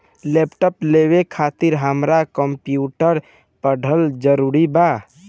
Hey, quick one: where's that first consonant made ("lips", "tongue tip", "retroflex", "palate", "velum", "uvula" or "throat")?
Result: tongue tip